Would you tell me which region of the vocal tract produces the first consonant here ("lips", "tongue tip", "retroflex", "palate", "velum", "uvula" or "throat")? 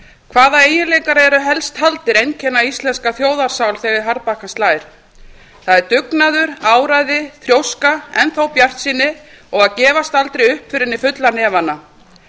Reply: velum